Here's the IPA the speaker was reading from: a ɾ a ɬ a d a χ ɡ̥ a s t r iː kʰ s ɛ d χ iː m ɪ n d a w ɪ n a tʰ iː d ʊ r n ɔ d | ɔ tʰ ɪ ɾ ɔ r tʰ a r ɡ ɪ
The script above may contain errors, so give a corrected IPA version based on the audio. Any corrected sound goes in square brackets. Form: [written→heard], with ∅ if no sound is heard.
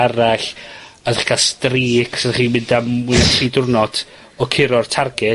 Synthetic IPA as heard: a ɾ a ɬ a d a χ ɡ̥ a s t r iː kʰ s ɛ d χ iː m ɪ n d a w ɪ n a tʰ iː d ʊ r n ɔ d | ɔ [tʰ→kʰ] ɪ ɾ ɔ r tʰ a r ɡ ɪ